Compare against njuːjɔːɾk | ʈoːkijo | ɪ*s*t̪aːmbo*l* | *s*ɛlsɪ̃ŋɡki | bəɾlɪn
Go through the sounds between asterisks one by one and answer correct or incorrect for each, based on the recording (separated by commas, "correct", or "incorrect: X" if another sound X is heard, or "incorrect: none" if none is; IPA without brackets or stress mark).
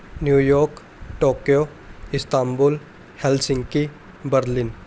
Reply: correct, correct, incorrect: h